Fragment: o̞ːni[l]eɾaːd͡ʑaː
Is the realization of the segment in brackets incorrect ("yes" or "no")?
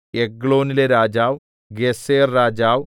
no